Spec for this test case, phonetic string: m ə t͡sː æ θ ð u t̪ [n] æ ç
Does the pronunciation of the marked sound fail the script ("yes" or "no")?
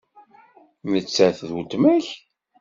yes